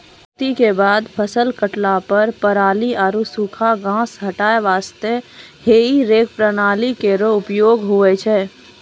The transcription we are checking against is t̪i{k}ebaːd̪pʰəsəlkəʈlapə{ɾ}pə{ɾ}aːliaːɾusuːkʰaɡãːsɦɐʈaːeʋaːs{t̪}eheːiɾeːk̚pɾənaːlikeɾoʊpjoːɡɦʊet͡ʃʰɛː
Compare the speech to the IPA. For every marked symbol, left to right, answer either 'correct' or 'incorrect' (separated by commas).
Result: correct, correct, correct, correct